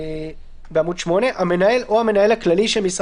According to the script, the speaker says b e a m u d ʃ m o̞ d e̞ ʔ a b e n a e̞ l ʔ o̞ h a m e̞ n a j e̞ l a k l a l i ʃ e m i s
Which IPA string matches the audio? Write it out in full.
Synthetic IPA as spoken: b e a m u d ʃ m o̞ n e̞ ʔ a m e n a e̞ l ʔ o̞ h a m e̞ n a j e̞ l a k l a l i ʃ e m i s